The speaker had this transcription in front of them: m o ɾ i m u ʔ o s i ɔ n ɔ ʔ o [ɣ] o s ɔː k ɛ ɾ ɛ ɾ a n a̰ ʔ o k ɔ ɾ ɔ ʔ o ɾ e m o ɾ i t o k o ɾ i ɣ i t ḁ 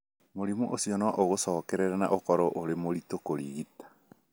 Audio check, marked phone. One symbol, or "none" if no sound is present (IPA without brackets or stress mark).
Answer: ɣ